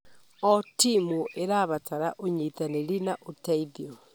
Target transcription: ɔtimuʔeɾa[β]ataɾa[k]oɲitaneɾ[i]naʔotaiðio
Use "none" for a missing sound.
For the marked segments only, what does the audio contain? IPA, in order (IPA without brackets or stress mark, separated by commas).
β, ʔ, i